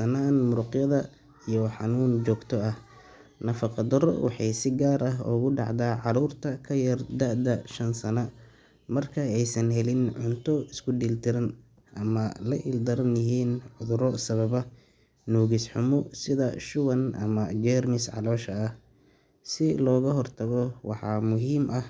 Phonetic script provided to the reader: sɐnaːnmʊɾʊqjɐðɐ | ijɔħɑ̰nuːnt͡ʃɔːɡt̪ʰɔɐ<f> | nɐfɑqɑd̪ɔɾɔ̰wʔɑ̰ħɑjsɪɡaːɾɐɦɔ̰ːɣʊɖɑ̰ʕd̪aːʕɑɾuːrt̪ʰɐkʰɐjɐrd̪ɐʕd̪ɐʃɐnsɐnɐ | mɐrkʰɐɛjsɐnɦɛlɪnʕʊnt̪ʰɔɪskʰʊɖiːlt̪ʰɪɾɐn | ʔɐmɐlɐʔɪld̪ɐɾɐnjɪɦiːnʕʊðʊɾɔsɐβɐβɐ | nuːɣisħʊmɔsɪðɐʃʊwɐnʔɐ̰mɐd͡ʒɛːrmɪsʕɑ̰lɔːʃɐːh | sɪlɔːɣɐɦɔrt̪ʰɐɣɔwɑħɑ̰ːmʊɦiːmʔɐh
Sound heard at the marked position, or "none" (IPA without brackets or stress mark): h